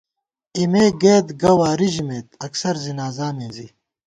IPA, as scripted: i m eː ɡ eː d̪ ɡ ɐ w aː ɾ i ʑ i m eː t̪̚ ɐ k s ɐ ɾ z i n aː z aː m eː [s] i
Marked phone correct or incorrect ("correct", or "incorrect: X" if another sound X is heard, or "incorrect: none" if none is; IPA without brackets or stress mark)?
incorrect: z